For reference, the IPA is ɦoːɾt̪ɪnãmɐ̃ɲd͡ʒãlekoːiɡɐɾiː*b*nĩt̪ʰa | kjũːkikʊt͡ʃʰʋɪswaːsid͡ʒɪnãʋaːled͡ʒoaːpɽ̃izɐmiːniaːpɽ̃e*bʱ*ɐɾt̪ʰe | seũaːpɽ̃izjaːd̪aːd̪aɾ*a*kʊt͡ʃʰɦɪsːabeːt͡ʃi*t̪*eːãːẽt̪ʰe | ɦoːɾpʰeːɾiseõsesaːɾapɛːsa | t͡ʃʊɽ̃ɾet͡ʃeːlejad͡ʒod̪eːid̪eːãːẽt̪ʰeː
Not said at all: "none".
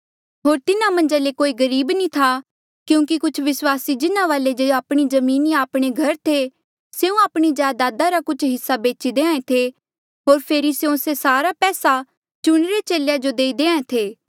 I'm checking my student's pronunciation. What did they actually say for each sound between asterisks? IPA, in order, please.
b, ɡʱ, a, d̪

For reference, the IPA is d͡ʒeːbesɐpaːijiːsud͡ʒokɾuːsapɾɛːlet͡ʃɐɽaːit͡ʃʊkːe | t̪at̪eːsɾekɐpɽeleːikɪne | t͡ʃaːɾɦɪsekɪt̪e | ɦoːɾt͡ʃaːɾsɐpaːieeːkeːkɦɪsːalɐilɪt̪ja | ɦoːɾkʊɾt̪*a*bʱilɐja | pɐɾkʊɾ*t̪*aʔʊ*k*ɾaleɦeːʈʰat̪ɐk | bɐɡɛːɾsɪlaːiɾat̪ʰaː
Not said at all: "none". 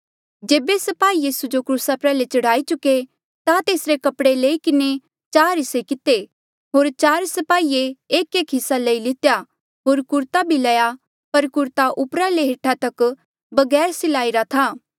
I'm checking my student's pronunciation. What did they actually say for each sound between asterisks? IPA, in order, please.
a, t̪, p

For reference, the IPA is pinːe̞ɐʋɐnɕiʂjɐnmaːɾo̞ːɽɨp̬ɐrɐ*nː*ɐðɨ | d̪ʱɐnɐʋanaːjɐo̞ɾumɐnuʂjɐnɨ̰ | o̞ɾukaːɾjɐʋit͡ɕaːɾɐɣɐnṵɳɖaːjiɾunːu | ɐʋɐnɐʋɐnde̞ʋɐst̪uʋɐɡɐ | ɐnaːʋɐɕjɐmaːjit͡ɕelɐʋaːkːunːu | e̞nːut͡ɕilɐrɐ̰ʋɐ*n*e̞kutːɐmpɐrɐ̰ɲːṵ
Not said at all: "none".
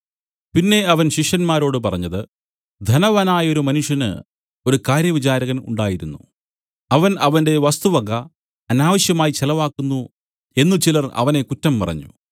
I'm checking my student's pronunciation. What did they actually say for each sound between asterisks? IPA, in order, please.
ɲː, n

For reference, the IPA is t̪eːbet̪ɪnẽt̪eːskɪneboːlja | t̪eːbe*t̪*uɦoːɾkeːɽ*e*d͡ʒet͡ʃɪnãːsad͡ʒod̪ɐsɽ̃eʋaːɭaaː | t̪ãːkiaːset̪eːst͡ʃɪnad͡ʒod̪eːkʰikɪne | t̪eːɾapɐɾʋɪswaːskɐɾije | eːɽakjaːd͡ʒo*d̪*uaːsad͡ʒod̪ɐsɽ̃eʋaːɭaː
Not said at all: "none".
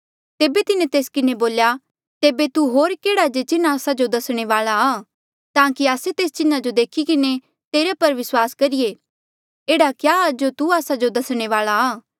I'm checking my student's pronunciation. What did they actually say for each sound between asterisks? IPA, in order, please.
t̪, a, t̪

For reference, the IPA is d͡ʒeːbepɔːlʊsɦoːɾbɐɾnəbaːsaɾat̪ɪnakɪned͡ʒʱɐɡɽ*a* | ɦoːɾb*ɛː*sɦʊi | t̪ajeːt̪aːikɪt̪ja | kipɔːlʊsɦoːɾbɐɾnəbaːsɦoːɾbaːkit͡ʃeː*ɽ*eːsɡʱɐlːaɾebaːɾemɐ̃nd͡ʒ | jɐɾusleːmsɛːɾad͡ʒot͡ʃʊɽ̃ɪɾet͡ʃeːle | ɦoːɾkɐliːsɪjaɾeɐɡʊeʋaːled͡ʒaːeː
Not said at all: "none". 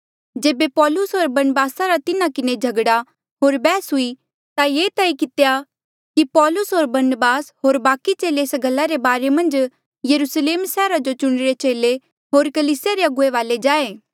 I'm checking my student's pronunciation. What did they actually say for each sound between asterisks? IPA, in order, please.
a, ɛː, l

